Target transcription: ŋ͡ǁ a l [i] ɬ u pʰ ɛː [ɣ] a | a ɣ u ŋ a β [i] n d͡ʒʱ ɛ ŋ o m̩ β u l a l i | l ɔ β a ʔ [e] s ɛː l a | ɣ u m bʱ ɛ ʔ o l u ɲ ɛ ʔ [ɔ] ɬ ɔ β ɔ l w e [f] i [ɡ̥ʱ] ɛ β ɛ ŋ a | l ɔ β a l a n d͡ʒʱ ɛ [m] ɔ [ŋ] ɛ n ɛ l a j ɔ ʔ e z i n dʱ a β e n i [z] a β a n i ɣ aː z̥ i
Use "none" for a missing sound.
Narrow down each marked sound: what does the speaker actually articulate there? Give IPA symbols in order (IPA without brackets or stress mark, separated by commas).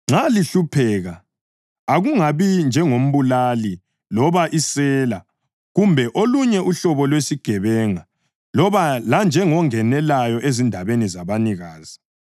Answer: i, ɣ, i, i, u, s, ɡ̥ʱ, ŋ, ŋ, z